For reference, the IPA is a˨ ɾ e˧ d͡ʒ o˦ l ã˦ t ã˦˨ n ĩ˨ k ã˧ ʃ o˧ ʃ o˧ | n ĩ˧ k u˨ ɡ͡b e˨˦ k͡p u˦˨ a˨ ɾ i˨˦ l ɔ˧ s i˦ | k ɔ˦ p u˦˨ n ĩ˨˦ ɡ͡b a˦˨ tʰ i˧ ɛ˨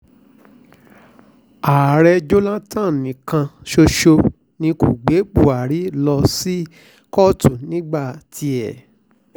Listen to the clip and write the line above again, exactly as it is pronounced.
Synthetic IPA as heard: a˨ ɾ ɛ˧ d͡ʒ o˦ l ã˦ t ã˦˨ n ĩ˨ k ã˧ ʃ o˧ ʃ o˧ | n ĩ˧ k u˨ ɡ͡b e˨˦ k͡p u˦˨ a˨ ɾ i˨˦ l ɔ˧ s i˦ | k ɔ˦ t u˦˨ n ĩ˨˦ ɡ͡b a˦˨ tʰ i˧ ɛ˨